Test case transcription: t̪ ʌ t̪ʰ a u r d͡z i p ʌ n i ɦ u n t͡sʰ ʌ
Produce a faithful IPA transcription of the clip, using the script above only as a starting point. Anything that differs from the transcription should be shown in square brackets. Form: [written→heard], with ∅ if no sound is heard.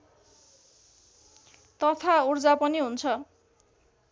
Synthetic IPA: t̪ ʌ t̪ʰ a u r d͡z [i→a] p ʌ n i ɦ u n t͡sʰ ʌ